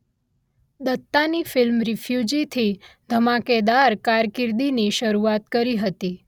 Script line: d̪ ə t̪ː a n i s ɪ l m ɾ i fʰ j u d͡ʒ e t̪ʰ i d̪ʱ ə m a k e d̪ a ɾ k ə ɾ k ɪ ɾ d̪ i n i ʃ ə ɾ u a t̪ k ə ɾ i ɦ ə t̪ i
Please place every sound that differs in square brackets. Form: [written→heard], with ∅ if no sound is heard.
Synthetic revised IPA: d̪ ə t̪ː a n i [s→f] ɪ l m ɾ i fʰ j u d͡ʒ [e→i] t̪ʰ i d̪ʱ ə m a k e d̪ a ɾ k [ə→a] ɾ k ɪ ɾ d̪ i n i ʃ ə ɾ u a t̪ k ə ɾ i ɦ ə t̪ i